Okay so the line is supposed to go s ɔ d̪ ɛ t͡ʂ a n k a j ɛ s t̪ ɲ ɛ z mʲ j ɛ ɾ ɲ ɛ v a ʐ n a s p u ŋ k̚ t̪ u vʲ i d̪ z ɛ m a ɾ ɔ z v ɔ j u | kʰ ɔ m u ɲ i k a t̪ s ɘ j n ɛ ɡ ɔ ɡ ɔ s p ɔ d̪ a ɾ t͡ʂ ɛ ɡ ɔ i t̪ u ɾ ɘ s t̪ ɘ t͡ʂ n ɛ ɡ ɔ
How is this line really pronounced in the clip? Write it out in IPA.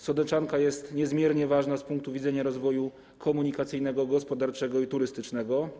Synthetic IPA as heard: s ɔ d̪ ɛ t͡ʂ a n k a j ɛ s t̪ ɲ ɛ z mʲ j ɛ ɾ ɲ ɛ v a ʐ n a s p u ŋ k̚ t̪ u vʲ i d̪ z ɛ ɲ a ɾ ɔ z v ɔ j u | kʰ ɔ m u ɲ i k a t̪ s ɘ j n ɛ ɡ ɔ ɡ ɔ s p ɔ d̪ a ɾ t͡ʂ ɛ ɡ ɔ i t̪ u ɾ ɘ s t̪ ɘ t͡ʂ n ɛ ɡ ɔ